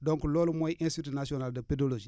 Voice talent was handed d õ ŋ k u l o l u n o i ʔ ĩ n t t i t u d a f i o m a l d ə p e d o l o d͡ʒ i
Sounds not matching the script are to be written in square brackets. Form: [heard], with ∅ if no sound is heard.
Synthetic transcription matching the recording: d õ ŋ k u l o l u [m] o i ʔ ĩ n [s] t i t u [n] a [s] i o [n] a l d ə p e d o l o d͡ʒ i